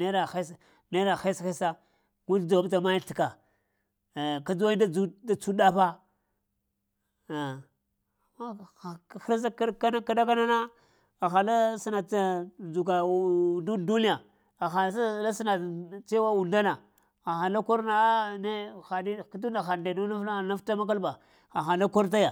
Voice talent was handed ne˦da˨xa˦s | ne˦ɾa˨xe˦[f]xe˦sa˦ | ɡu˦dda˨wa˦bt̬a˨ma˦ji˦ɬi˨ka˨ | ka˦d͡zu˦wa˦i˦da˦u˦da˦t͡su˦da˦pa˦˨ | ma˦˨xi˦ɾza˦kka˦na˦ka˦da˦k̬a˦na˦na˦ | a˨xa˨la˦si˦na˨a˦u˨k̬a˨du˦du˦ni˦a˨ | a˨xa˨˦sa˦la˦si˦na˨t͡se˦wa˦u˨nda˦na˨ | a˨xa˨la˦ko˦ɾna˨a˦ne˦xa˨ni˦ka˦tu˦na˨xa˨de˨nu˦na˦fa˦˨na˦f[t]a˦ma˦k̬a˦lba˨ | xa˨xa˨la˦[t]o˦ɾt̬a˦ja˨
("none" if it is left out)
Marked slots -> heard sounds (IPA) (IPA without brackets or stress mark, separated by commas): s, t, k